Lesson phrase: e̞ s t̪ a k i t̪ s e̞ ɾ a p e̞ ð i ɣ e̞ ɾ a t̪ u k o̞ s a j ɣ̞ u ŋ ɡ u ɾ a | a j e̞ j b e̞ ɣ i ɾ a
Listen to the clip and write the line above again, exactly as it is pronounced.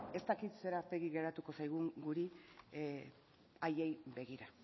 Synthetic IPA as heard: e̞ s t̪ a k i t̪ s e̞ ɾ a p e̞ ɣ i ɣ e̞ ɾ a t̪ u k o̞ s a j ɣ̞ u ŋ ɡ u ɾ i | a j e̞ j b e̞ ɣ i ɾ a

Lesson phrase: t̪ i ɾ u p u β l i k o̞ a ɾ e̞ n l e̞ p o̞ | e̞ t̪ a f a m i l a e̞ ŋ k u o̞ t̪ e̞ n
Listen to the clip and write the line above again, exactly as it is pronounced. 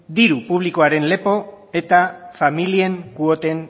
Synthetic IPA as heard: d̪ i ɾ u p u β l i k o̞ a ɾ e̞ n l e̞ p o̞ | e̞ t̪ a f a m i l i e̞ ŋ k u o̞ t̪ e̞ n

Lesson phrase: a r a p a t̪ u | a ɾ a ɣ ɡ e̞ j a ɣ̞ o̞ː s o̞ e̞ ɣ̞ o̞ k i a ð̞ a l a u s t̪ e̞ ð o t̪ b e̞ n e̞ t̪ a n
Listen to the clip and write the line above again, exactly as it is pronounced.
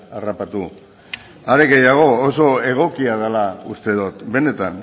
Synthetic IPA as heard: a r a p a t̪ u | a ɾ e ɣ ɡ e̞ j a ɣ̞ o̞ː s o̞ e̞ ɣ̞ o̞ k i a ð̞ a l a u s t̪ e̞ ð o t̪ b e̞ n e̞ t̪ a n

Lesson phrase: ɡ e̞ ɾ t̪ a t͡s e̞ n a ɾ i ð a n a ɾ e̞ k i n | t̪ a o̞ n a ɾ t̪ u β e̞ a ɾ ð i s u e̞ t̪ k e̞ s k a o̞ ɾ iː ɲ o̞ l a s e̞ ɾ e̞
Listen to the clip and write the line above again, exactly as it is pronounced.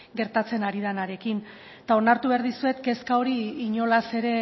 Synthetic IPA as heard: ɡ e̞ ɾ t̪ a t͡s e̞ n a ɾ i ð a n a ɾ e̞ k i n | t̪ a o̞ n a ɾ t̪ u β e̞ a ɾ ð i s u e̞ t̪ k e̞ s k a o̞ ɾ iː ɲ o̞ l a s e̞ ɾ e̞

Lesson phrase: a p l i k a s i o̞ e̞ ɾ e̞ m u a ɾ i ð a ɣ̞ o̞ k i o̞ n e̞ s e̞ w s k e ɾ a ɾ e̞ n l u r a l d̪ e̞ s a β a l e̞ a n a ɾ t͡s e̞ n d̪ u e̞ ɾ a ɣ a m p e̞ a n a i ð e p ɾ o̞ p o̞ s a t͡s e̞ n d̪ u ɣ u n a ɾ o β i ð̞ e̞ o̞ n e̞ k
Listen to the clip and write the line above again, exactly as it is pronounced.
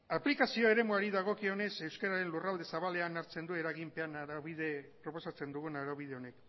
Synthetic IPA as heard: a p l i k a s i o̞ e̞ ɾ e̞ m u a ɾ i ð a ɣ̞ o̞ k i o̞ n e̞ s e̞ w s k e ɾ a ɾ e̞ n l u r a l d̪ e̞ s a β a l e̞ a n a ɾ t͡s e̞ n d̪ u e̞ ɾ a ɣ i m p e̞ a n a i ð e p ɾ o̞ p o̞ s a t͡s e̞ n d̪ u ɣ u n a ɾ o β i ð̞ e̞ o̞ n e̞ k

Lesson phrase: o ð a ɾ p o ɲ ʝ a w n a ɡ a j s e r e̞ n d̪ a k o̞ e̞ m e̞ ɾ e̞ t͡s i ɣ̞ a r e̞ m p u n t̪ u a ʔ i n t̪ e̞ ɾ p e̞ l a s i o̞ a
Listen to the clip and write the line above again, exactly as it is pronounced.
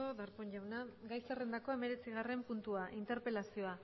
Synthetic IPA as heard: o ð a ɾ p o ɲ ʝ a w n a ɡ a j s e r e̞ n d̪ a k o̞ e̞ m e̞ ɾ e̞ t͡s i ɣ̞ a r e̞ m p u n t̪ u a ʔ i n t̪ e̞ ɾ p e̞ l a s i o̞ a

